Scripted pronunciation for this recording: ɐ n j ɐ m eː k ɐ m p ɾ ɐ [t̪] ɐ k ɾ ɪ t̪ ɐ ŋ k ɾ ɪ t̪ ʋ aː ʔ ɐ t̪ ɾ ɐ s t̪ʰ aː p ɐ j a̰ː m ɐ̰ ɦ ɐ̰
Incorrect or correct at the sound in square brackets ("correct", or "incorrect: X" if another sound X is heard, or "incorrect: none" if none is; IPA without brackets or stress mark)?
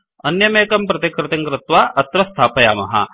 correct